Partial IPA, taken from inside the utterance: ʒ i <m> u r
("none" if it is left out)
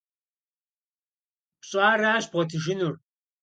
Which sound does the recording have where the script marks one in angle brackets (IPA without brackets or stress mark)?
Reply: n